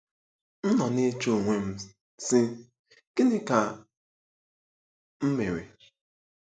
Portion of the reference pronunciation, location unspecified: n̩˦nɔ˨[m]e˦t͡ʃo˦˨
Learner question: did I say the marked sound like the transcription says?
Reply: no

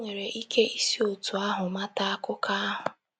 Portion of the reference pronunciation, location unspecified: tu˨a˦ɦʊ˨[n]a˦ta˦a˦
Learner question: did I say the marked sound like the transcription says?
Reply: no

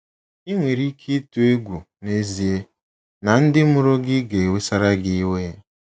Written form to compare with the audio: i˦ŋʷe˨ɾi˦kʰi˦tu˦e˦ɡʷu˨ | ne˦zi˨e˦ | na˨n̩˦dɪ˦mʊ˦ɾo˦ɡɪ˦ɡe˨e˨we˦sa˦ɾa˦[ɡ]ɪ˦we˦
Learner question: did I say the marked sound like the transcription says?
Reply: yes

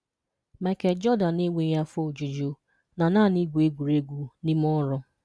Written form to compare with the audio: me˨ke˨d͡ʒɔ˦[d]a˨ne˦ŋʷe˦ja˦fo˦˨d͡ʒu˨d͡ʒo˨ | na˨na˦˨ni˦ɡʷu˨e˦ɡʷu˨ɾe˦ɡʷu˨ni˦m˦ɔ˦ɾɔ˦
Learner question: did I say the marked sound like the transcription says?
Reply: yes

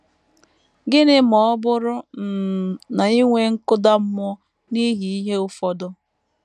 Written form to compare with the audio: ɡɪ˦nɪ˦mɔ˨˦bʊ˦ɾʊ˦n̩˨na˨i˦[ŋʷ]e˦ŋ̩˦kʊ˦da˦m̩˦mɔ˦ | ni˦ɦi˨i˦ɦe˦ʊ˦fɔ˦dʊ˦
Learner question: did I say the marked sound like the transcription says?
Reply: yes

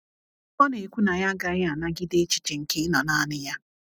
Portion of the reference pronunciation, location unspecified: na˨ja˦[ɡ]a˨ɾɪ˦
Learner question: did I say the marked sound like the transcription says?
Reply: yes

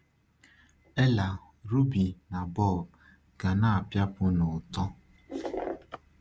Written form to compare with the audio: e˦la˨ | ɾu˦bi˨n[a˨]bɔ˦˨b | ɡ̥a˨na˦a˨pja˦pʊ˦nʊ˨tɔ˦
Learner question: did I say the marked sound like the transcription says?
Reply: yes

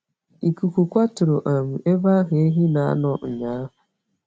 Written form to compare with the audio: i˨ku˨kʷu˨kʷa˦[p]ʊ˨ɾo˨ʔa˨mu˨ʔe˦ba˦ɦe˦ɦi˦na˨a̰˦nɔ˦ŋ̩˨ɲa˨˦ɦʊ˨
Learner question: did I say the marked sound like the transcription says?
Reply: no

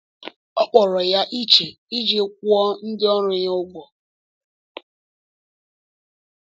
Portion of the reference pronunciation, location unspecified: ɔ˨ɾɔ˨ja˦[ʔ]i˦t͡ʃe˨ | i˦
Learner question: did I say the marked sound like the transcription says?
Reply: yes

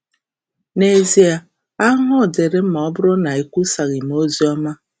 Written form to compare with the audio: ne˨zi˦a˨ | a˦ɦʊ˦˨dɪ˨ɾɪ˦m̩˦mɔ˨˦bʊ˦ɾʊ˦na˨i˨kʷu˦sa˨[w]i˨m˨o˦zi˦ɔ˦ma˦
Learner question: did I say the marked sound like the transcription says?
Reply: no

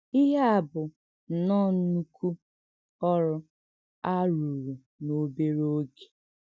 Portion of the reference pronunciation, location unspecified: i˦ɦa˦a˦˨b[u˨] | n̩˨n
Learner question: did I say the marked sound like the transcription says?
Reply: no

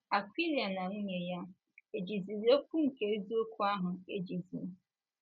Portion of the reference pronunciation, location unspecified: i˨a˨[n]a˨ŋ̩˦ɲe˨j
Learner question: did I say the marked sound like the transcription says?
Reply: yes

